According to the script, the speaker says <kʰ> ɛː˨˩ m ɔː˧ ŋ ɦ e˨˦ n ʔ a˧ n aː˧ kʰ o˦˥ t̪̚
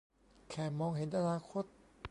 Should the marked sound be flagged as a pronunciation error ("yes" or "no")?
no